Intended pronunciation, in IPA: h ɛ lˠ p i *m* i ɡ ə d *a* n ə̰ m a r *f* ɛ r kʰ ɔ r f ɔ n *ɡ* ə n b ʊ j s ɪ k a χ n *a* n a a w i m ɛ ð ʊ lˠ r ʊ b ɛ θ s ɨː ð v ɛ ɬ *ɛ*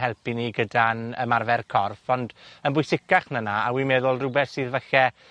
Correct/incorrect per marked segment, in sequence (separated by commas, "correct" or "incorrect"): incorrect, correct, incorrect, incorrect, incorrect, correct